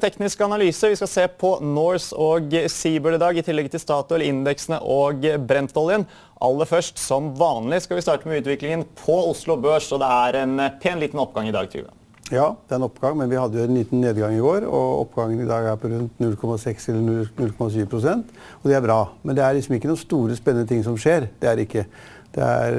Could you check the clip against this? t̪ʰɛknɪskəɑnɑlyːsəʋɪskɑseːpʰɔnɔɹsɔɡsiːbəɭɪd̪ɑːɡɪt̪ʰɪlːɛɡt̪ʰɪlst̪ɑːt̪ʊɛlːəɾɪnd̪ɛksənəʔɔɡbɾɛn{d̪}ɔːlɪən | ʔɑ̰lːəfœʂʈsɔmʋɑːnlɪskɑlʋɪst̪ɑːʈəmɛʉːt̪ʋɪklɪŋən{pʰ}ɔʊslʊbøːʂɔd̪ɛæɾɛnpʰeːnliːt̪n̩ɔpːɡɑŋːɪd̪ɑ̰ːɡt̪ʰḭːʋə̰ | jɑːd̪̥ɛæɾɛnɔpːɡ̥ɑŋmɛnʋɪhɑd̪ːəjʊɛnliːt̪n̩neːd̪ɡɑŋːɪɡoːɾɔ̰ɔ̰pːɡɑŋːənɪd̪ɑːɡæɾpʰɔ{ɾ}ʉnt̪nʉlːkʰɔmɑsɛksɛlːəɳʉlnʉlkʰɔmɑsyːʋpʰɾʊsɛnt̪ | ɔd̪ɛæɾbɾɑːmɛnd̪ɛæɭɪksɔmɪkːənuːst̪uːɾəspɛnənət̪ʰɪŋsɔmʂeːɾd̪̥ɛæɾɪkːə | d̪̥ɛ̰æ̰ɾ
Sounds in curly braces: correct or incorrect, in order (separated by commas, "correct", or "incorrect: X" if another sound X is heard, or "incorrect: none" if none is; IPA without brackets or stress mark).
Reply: incorrect: t̪, correct, correct